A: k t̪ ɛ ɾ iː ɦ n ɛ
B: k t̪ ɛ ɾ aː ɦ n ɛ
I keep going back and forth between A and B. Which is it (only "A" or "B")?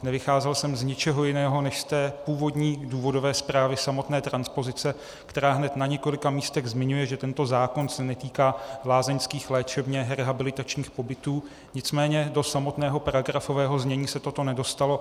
B